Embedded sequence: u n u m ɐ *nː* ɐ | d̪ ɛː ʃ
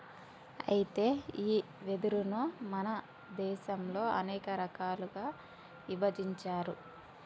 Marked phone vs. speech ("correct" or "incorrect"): incorrect